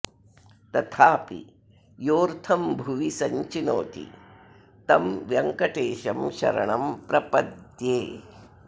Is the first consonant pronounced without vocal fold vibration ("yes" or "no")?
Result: yes